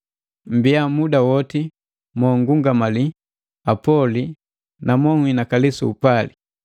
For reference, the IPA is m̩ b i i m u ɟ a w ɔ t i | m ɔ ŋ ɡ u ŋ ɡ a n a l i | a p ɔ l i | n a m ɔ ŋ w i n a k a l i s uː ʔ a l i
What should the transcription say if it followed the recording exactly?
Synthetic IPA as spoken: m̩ b i a m u d a w ɔ t i | m ɔ ŋ ɡ u ŋ ɡ a m a l i | a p ɔ l i | n a m ɔ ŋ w i n a k a l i s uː p a l i